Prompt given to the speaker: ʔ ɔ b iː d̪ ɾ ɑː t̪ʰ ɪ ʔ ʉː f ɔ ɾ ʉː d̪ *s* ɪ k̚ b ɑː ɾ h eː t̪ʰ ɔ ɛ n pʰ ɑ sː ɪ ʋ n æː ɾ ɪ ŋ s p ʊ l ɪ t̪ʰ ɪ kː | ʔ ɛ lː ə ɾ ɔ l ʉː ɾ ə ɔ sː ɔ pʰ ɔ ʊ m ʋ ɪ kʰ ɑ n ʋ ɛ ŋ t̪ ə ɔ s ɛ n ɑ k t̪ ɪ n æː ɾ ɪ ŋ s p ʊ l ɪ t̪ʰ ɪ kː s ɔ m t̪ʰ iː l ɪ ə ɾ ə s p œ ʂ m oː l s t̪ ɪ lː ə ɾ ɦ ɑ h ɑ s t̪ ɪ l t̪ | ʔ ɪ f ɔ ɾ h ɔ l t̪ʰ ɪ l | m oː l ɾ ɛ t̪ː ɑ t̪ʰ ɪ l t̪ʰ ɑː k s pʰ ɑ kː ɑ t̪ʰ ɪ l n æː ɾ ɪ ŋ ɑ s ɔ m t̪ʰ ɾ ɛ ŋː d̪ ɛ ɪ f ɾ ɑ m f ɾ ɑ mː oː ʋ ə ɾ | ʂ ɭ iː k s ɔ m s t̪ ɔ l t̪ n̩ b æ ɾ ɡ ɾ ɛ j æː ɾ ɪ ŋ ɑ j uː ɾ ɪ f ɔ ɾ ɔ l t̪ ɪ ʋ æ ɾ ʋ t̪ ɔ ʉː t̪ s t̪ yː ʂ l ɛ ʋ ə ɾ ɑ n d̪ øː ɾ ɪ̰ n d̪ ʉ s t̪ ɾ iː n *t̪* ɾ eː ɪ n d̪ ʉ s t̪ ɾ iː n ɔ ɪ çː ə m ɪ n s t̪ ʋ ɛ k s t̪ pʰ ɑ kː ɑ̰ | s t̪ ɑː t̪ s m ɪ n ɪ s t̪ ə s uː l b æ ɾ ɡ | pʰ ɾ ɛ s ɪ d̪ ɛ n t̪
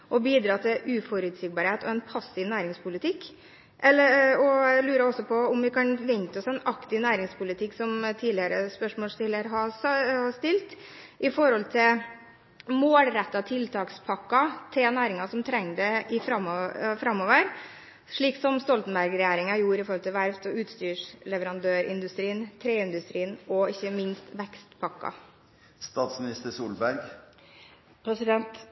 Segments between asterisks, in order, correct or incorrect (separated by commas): correct, incorrect